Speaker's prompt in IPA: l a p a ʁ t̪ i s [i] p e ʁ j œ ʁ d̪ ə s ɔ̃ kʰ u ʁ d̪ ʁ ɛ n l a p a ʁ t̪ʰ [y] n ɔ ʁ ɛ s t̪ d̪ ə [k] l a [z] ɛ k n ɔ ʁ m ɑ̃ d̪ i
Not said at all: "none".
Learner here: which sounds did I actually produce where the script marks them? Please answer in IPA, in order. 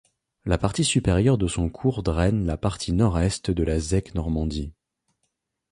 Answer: y, i, none, z

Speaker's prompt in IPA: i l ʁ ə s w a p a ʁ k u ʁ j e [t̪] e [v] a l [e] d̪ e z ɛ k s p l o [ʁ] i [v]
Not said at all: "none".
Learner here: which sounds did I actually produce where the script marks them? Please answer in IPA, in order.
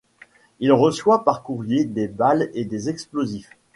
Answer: d̪, b, e, z, f

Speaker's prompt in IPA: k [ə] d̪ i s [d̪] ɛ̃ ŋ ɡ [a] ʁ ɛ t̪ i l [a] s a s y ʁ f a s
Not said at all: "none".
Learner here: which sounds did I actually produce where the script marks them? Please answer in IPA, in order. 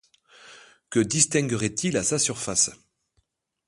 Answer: ə, t̪, ə, a

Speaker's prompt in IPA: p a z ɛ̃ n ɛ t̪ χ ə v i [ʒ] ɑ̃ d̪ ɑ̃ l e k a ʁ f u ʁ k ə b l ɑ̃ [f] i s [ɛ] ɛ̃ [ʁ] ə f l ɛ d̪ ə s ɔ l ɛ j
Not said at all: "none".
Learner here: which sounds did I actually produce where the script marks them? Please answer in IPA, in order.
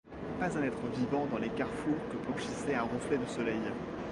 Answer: v, ʃ, ɛ, ʁ

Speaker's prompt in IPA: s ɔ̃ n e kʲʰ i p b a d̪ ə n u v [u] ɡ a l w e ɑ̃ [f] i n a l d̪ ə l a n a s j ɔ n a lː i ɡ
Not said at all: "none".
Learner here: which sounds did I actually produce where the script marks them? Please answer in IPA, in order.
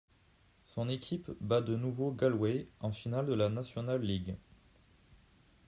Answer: o, f

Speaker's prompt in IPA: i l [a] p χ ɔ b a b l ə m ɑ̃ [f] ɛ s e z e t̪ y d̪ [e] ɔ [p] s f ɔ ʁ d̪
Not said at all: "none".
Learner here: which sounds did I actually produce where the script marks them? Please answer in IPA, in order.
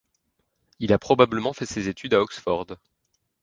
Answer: a, f, a, k

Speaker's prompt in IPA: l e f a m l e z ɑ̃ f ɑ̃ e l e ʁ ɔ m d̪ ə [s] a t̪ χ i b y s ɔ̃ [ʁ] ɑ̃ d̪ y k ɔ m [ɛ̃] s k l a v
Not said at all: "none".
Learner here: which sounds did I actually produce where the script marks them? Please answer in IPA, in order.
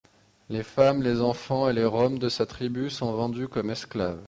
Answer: s, v, ɛ

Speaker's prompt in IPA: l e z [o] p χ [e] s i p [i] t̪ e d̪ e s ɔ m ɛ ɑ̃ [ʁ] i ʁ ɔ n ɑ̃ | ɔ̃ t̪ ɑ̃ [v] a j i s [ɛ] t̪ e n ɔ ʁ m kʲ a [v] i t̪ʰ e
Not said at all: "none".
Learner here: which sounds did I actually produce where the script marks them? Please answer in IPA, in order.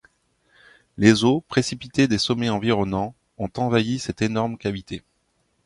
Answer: o, e, i, v, v, ɛ, v

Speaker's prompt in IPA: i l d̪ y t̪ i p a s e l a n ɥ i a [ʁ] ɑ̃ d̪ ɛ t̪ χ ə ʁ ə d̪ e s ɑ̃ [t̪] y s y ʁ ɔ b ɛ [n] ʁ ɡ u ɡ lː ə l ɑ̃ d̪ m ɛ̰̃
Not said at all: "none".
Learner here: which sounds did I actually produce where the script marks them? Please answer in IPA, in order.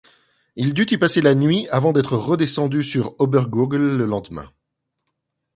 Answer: v, d̪, none

